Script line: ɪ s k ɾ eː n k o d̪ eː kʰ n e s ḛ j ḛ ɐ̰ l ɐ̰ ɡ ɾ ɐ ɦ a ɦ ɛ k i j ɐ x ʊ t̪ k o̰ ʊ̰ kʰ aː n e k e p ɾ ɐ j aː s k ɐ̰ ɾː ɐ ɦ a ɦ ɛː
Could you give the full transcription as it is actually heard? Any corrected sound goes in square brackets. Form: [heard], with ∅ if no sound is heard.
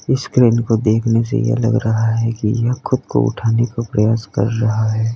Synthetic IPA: ɪ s k ɾ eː n k o d̪ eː kʰ n e s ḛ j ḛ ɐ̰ l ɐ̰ ɡ ɾ ɐ ɦ a ɦ ɛ k i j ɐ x ʊ [d̪] k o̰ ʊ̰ [ʈʰ] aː n e k [a] p ɾ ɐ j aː s k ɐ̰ ɾː ɐ ɦ a ɦ ɛː